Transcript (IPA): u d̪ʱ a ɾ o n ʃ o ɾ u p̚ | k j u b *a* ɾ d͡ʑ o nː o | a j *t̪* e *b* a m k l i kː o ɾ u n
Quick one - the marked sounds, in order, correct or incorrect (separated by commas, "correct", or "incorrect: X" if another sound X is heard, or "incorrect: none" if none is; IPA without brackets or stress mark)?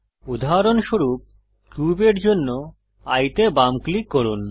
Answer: incorrect: e, correct, correct